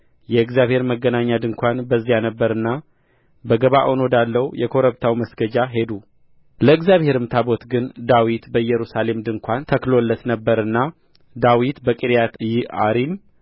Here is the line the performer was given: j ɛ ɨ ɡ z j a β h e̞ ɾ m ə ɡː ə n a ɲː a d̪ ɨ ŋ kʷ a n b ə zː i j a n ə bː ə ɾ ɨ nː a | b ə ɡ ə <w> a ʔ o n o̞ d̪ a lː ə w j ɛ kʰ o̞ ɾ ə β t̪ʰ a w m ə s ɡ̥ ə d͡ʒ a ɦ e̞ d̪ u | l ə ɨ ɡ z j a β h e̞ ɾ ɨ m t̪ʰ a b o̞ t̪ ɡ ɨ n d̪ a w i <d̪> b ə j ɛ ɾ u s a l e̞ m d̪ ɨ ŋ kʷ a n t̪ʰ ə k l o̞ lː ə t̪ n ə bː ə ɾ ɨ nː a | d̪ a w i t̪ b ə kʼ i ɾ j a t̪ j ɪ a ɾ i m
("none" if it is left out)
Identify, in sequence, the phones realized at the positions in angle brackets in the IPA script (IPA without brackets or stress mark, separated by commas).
β, t̪